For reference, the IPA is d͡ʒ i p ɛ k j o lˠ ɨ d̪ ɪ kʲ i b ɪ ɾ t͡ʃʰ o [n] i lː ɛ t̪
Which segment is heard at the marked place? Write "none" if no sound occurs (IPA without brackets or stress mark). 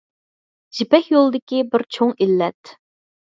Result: ŋ